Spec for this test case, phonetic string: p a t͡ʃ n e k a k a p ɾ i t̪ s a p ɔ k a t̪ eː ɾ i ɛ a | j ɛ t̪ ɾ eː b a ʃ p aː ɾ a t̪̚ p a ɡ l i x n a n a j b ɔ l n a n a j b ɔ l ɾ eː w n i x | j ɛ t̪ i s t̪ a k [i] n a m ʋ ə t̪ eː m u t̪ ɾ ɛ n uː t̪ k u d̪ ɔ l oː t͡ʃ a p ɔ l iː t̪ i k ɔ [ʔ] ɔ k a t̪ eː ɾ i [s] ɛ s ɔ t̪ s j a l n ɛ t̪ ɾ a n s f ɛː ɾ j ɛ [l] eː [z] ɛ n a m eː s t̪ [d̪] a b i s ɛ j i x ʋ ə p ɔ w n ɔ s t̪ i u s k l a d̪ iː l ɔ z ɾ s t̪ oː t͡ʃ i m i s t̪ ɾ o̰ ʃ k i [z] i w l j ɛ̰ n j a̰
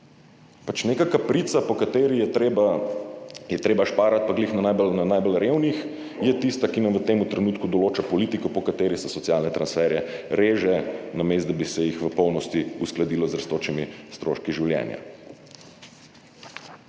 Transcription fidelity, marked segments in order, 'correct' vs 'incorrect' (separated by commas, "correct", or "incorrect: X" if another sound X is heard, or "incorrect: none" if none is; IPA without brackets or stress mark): correct, incorrect: p, correct, incorrect: ɾ, incorrect: ʒ, correct, incorrect: ʒ